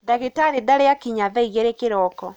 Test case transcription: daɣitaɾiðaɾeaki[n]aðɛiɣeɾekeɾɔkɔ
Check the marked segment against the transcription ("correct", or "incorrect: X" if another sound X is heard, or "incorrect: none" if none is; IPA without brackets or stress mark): incorrect: ɲ